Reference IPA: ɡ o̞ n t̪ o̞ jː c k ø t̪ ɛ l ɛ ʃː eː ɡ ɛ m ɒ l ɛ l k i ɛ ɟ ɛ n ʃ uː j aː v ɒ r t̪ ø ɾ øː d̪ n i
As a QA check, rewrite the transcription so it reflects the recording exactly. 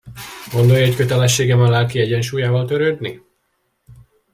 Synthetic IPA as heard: ɡ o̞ n d̪ o̞ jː c k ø t̪ ɛ l ɛ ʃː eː ɡ ɛ m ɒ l ɛ l k i ɛ ɟ ɛ n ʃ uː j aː v ɒ l t̪ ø ɾ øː d̪ n i